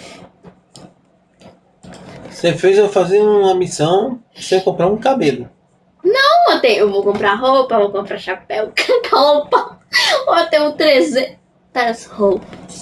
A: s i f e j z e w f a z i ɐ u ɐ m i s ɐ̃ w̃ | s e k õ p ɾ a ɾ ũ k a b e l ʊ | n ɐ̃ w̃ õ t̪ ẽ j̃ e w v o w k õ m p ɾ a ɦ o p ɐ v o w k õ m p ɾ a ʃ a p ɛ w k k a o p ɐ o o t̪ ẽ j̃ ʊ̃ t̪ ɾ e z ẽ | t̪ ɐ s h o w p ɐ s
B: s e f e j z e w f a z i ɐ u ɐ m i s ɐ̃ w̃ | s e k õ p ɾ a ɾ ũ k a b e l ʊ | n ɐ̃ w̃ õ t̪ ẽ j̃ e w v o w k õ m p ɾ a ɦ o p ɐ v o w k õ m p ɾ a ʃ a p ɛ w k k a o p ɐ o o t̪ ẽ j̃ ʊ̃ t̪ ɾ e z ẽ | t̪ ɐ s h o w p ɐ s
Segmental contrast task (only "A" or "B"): B